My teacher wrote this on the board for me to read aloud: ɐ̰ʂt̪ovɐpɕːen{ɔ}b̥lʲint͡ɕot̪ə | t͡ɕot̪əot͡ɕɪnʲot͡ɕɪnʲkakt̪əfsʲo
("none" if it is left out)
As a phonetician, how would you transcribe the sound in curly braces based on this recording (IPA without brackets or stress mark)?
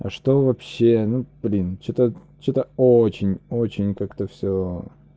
u